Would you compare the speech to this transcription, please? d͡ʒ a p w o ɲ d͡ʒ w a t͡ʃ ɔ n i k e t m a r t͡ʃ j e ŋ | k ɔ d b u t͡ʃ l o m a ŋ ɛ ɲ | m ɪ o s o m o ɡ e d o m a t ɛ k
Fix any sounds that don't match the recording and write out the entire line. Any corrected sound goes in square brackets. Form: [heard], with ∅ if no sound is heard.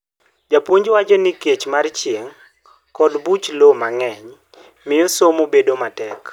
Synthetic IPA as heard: d͡ʒ a p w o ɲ d͡ʒ w a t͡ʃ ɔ n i k e [t͡ʃ] m a r t͡ʃ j e ŋ | k ɔ d b u t͡ʃ l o m a ŋ ɛ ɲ | m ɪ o s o m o [b] e d o m a t ɛ k